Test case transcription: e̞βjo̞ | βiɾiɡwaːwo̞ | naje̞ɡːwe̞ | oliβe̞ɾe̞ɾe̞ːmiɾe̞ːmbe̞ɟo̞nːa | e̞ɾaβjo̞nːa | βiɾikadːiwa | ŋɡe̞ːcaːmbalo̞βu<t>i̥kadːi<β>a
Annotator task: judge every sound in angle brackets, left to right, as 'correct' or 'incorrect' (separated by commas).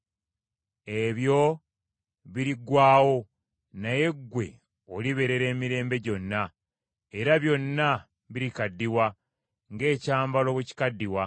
incorrect, incorrect